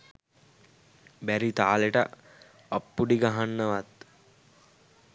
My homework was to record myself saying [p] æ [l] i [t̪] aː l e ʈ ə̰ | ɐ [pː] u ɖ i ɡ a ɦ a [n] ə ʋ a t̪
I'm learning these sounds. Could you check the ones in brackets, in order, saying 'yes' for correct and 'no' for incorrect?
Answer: no, no, yes, yes, no

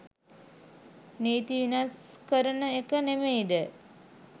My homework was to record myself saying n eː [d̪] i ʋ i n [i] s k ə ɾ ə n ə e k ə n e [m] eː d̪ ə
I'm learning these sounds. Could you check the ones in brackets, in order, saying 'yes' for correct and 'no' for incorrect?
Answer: no, no, yes

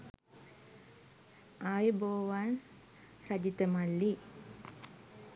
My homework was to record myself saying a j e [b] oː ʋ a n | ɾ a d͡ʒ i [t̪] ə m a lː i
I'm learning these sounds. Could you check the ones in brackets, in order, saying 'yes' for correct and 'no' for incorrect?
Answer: yes, yes

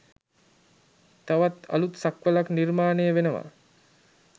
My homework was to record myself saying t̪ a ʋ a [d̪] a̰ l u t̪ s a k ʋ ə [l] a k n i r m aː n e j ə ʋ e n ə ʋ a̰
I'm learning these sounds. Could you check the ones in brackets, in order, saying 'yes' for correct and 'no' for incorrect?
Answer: no, yes

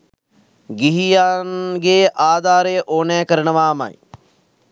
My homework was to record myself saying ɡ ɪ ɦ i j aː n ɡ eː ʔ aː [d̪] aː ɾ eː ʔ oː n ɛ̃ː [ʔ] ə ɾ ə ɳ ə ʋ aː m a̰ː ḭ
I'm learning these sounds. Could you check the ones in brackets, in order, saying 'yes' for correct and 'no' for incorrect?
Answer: yes, no

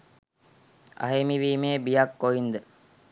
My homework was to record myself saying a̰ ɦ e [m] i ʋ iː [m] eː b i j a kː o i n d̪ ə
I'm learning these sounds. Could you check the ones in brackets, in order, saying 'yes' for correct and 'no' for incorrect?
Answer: yes, yes

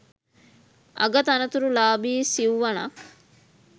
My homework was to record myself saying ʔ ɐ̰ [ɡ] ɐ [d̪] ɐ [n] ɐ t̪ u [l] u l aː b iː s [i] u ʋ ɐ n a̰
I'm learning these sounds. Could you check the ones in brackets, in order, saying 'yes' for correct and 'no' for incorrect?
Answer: yes, no, yes, no, yes

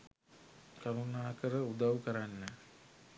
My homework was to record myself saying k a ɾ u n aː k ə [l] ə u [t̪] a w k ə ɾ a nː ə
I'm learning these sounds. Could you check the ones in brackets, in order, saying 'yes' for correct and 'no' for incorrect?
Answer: no, no

